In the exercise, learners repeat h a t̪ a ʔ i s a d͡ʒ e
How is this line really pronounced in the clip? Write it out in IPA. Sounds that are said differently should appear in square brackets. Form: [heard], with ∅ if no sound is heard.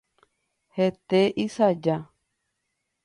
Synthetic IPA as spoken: h [e] t̪ [e] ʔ i s a d͡ʒ [a]